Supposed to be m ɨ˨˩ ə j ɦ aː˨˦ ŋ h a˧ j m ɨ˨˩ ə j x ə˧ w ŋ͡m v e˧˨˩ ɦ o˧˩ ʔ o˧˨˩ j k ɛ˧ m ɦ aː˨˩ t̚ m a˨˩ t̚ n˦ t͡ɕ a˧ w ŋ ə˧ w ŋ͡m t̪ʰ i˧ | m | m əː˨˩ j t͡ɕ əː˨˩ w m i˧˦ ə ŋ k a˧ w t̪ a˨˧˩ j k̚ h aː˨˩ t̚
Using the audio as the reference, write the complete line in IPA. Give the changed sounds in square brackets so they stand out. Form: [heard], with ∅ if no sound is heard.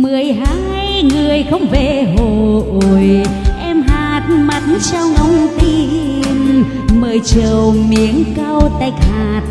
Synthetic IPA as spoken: m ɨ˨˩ ə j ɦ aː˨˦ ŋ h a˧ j [ŋ] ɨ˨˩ ə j x ə˧ w ŋ͡m v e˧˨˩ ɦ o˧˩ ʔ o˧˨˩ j [ʔ] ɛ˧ m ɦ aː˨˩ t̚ m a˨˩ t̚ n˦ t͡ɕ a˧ w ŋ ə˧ w ŋ͡m [t̪] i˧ | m | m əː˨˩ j t͡ɕ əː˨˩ w m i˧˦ ə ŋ k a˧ w t̪ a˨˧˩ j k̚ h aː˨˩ t̚